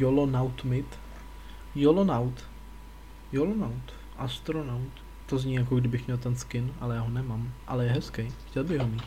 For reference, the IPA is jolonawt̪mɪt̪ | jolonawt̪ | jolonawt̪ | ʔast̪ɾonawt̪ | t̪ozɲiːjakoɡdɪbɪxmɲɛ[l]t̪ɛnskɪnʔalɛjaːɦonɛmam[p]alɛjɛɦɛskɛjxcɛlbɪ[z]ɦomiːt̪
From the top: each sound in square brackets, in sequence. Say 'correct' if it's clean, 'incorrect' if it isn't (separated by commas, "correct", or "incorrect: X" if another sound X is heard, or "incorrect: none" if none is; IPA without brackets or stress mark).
correct, incorrect: ʔ, incorrect: ɣ